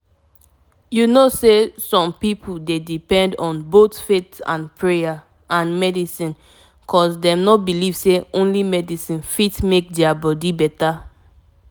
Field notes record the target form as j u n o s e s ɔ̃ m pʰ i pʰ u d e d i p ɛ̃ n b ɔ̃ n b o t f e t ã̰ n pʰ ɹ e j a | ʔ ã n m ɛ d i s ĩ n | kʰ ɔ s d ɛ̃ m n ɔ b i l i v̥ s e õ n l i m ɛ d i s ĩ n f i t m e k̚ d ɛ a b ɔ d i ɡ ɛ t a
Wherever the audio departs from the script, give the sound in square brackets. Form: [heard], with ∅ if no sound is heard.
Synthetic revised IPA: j u n o s e s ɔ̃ m [p] i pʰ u d e d i p ɛ̃ n [d] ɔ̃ n b o t f e t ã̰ n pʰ ɹ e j a | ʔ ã n m ɛ d i s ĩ n | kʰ ɔ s d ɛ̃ m n ɔ b i l i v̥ s e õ n l i m ɛ d i s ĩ n f i t m e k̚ d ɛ a b ɔ d i [b] ɛ t a